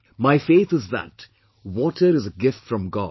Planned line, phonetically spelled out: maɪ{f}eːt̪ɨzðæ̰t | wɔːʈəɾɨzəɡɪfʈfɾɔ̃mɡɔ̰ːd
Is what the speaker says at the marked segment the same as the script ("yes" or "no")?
yes